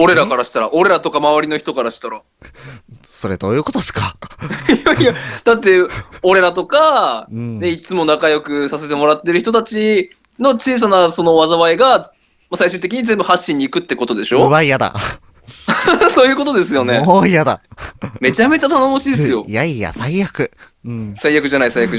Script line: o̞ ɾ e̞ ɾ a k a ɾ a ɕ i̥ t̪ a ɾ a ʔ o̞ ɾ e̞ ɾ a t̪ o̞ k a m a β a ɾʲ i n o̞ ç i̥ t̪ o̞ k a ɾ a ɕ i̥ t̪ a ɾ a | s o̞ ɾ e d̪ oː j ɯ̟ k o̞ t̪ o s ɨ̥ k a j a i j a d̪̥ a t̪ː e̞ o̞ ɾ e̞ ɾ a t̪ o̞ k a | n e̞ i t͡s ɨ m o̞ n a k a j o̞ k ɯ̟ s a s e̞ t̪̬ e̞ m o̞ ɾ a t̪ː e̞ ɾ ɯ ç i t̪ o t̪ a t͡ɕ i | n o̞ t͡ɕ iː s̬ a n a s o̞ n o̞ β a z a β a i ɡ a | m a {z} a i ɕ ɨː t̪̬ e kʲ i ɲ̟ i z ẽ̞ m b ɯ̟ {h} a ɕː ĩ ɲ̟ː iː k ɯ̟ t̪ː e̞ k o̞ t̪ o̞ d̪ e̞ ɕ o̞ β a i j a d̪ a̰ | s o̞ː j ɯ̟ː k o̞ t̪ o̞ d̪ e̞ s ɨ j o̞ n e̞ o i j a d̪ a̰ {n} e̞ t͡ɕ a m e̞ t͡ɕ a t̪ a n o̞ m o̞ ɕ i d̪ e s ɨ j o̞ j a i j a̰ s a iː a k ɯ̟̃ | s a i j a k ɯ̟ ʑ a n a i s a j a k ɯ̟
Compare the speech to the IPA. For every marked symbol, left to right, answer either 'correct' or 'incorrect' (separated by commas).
incorrect, correct, incorrect